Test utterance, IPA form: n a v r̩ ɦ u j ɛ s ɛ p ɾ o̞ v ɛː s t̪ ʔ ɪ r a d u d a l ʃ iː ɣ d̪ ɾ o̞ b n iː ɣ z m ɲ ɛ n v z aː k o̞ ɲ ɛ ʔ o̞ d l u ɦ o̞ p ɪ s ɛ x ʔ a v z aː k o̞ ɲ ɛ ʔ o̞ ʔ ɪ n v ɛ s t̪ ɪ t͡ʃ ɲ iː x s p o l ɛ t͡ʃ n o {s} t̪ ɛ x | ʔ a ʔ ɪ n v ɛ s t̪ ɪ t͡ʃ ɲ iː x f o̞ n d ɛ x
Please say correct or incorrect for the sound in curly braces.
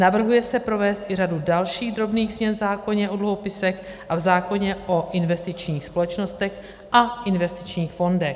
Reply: correct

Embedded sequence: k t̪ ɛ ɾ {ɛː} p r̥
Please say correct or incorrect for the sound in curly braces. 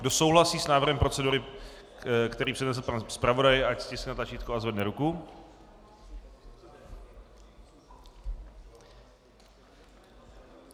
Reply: incorrect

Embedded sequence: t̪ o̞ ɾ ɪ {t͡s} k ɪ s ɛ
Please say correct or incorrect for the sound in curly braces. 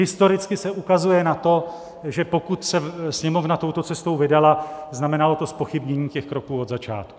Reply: correct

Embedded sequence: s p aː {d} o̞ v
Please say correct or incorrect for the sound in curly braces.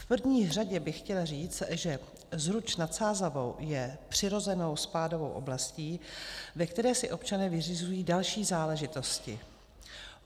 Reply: correct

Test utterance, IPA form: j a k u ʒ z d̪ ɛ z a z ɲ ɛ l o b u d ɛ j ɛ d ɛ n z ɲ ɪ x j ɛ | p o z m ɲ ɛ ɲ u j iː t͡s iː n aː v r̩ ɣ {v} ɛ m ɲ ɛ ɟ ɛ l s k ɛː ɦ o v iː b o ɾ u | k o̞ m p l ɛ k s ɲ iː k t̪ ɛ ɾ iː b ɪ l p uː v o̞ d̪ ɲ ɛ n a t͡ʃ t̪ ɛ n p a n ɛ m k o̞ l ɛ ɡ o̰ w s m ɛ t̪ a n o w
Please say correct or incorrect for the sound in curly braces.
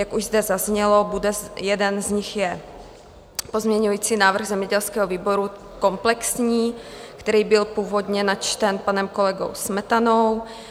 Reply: incorrect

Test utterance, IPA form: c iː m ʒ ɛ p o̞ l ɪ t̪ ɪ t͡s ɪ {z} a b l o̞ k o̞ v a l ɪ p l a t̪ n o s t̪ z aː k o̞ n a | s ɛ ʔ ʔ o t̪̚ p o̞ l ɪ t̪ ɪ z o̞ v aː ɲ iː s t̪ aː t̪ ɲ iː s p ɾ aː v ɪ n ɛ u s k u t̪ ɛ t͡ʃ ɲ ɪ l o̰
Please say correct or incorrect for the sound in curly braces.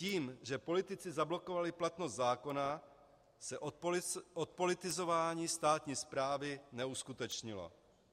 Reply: correct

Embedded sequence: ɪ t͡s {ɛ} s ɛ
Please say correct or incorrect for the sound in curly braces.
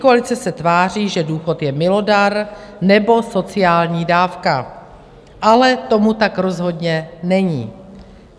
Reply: correct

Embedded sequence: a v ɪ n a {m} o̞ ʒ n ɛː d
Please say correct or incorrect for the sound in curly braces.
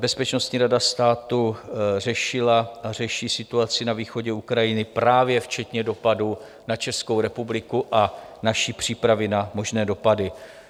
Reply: correct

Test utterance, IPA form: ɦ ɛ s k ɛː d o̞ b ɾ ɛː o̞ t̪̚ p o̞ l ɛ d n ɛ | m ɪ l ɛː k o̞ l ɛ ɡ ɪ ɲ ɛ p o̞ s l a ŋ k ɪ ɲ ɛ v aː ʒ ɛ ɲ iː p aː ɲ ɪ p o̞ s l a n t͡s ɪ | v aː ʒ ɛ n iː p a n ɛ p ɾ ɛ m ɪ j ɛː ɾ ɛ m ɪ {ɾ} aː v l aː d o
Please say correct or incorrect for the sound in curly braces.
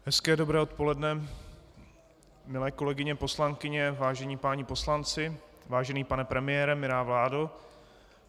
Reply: correct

